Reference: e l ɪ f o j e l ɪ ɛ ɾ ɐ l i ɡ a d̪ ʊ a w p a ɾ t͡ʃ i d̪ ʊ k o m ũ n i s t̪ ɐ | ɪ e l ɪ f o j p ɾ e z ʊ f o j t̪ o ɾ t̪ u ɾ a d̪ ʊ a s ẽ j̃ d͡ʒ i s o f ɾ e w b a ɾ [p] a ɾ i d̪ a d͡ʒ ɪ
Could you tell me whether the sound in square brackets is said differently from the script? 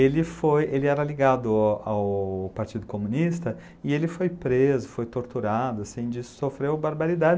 yes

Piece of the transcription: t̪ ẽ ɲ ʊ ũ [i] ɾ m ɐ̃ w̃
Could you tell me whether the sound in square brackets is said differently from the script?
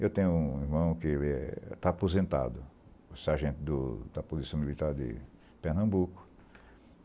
no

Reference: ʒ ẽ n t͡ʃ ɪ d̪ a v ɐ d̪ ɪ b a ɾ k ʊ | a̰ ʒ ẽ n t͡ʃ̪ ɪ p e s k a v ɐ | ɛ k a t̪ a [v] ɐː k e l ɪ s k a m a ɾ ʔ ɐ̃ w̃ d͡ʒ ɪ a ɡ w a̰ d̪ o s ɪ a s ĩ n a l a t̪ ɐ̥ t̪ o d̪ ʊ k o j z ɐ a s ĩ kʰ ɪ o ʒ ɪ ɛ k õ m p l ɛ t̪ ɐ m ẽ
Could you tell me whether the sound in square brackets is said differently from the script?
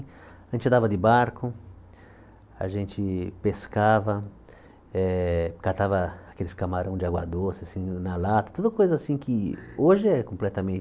no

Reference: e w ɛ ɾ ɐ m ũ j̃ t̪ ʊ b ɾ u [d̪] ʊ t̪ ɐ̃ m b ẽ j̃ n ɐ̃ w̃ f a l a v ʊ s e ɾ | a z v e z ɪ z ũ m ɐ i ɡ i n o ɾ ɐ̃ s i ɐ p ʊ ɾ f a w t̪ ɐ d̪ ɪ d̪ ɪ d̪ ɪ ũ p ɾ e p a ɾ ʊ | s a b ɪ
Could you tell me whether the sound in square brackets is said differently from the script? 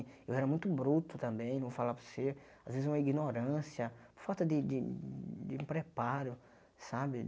yes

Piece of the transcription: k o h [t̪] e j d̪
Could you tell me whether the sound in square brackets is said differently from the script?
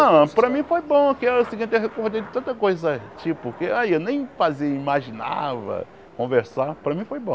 yes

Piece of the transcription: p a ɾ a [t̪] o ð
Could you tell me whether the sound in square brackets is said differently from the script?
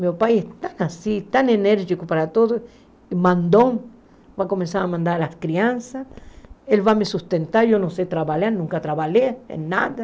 no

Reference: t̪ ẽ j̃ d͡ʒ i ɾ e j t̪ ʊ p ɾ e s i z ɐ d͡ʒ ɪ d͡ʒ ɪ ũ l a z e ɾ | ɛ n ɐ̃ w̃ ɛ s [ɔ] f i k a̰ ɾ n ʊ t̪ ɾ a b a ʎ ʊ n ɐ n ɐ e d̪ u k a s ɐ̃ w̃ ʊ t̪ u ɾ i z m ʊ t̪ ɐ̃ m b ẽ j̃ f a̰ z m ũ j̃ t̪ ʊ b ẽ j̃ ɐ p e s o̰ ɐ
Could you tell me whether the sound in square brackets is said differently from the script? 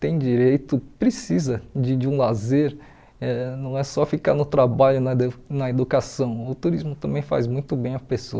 no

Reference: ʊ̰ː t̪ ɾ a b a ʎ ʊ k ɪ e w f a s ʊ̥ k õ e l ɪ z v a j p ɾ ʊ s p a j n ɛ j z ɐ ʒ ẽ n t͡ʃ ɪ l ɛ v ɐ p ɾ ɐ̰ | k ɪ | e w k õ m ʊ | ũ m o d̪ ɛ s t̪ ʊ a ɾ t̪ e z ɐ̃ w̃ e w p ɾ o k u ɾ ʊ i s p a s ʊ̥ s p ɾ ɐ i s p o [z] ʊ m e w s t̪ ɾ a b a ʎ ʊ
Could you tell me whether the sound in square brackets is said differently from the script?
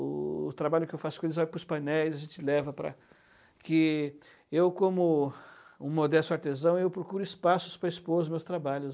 no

